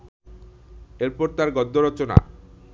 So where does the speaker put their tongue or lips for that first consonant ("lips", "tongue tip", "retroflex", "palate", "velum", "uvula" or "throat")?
tongue tip